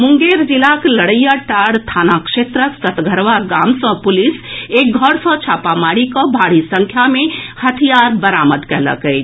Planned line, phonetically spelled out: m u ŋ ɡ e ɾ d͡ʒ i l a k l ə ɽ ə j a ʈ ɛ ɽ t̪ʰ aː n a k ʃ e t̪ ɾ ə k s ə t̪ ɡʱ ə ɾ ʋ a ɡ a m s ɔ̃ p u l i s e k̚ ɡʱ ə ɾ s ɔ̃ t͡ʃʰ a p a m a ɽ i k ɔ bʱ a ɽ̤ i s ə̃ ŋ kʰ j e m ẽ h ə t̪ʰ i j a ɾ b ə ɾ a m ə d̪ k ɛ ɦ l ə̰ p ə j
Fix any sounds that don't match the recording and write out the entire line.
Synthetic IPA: m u ŋ ɡ e ɾ d͡ʒ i l a k l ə ɽ ə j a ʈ a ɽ t̪ʰ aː n a k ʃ e t̪ ɾ ə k s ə t̪ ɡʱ ə ɾ ʋ a ɡ a m s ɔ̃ p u l i s e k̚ ɡʱ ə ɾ s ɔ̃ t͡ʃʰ a p a m a ɽ i k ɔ bʱ a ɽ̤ i s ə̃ ŋ kʰ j a m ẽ h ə t̪ʰ i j a ɾ b ə ɾ a m ə d̪ k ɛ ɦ l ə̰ k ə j